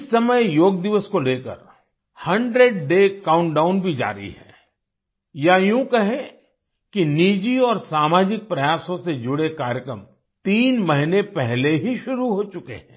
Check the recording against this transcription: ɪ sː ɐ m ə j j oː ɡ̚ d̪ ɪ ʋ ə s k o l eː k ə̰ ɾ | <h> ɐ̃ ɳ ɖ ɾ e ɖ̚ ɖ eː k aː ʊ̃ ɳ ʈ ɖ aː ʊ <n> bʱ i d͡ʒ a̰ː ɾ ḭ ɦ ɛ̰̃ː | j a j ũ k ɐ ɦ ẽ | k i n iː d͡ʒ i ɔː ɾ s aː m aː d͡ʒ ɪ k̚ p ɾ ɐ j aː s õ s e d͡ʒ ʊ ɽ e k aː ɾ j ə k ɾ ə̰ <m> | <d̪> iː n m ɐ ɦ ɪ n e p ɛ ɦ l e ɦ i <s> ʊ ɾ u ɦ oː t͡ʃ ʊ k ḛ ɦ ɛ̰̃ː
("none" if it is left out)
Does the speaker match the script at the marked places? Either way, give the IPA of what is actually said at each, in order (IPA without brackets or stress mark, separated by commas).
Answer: h, n, m, t̪, ʃ